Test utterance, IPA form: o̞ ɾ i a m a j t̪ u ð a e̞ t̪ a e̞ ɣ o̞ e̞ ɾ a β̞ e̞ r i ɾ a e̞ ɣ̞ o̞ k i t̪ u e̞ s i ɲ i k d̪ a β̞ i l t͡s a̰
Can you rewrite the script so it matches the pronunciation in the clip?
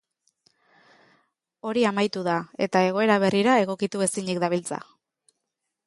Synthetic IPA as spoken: o̞ ɾ i a m a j t̪ u ð a e̞ t̪ a e̞ ɣ o̞ e̞ ɾ a β̞ e̞ r i ɾ a e̞ ɣ̞ o̞ k i t̪ u e̞ s i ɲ i k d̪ a β̞ i l t͡s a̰